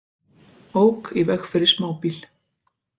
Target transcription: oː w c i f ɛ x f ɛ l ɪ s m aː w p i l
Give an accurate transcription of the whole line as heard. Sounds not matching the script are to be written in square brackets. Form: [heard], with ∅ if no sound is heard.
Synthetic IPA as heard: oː w [k] i [v] ɛ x f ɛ [ɾ] ɪ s m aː w p i l